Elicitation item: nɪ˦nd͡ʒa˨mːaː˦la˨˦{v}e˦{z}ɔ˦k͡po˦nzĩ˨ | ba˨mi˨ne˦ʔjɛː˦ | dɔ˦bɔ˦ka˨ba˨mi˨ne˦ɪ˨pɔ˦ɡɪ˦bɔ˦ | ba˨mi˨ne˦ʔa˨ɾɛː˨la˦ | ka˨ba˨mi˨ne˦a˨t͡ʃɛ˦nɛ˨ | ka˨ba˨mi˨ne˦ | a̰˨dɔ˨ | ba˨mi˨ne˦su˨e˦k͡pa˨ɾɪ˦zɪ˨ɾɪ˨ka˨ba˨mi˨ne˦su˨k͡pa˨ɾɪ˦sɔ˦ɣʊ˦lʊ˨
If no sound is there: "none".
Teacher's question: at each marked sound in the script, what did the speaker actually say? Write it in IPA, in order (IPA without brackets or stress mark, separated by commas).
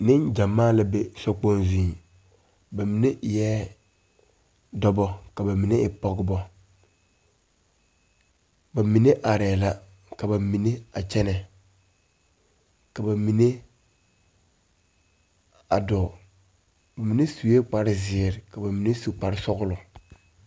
b, s